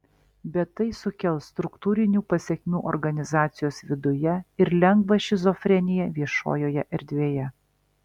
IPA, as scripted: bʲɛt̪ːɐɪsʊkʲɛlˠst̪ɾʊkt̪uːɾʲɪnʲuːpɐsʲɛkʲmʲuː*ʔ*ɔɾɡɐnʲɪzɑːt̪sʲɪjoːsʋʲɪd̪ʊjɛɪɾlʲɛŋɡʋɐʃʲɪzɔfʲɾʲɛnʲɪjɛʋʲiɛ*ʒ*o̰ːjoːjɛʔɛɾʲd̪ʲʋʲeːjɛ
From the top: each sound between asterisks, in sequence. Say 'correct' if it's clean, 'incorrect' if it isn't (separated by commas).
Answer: correct, incorrect